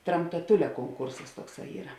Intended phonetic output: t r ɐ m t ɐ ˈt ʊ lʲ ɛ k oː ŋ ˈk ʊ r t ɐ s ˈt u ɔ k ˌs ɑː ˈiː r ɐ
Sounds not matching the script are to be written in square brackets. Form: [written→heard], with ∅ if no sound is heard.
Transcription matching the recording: t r ɐ m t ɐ ˈt ʊ lʲ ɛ k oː ŋ ˈk ʊ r [t→s] ɐ s ˈt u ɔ k ˌs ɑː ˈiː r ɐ